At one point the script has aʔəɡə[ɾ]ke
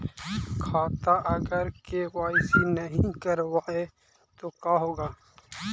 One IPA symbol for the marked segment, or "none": ɾ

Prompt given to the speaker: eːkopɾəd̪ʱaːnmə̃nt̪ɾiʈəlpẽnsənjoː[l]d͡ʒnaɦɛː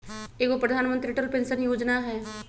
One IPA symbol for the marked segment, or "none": none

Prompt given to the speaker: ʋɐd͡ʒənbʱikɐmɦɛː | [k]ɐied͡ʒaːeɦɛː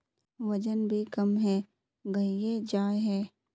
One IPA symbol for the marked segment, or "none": ɡ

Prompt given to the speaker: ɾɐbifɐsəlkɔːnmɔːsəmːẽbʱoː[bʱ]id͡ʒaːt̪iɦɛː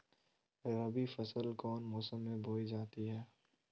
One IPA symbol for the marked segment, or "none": none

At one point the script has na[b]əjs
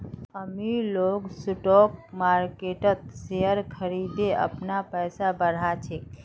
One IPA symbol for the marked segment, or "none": p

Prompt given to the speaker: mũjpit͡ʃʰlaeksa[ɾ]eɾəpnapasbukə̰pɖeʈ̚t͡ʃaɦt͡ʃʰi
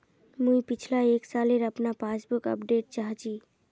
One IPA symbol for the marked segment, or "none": l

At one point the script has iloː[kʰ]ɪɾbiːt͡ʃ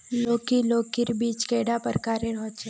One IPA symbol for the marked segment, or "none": k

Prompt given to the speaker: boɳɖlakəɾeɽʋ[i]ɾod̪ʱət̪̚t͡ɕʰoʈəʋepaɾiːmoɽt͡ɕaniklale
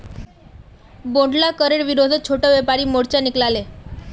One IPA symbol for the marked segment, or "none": i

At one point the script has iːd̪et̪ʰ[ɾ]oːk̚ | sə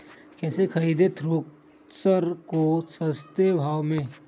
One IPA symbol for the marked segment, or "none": ɾ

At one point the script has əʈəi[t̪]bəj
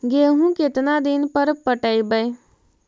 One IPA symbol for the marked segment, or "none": none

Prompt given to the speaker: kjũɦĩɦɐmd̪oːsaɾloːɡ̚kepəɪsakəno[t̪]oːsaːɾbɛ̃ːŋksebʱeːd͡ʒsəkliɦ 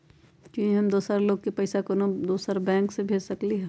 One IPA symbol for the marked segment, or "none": d̪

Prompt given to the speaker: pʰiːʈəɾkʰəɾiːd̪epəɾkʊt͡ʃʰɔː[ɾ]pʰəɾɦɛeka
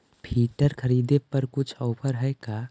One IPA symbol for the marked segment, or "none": none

